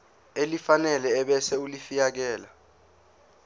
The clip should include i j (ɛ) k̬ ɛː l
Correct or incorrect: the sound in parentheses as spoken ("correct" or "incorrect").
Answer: incorrect